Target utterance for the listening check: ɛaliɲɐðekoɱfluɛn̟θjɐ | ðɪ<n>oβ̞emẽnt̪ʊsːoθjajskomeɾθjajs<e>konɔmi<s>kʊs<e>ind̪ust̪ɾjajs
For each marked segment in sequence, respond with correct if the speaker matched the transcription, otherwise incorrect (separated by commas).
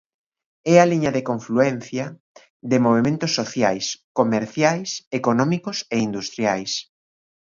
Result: incorrect, correct, incorrect, correct